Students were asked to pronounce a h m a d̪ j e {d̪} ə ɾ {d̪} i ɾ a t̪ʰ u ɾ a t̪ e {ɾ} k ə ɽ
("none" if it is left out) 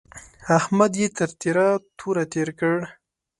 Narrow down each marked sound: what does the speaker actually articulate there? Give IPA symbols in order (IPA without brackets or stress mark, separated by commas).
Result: t̪, t̪, ɾ